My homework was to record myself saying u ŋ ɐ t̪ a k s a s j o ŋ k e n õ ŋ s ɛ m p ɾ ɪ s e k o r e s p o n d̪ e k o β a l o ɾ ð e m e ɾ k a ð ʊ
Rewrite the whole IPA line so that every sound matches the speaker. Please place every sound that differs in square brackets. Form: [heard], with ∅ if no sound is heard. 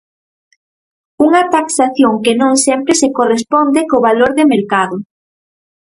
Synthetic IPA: u ŋ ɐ t̪ a k s a [θ] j o ŋ k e n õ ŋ s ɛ m p ɾ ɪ s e k o r e s p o n d̪ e k o β a l o ɾ ð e m e ɾ k a ð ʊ